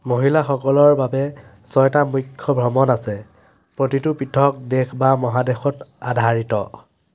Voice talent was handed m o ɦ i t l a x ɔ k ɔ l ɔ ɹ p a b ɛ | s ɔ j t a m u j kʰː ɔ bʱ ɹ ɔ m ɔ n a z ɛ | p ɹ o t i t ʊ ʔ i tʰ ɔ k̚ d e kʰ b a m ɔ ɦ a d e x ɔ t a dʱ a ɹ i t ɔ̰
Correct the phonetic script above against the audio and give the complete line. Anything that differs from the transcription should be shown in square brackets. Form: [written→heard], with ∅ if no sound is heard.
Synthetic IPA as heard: m o ɦ i [t→∅] l a x ɔ k ɔ l ɔ ɹ [p→b] a b ɛ | s ɔ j t a m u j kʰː ɔ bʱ ɹ ɔ m ɔ n a [z→s] ɛ | p ɹ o t i t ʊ [ʔ→p] i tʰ ɔ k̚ d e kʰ b a m ɔ ɦ a d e x ɔ t a dʱ a ɹ i t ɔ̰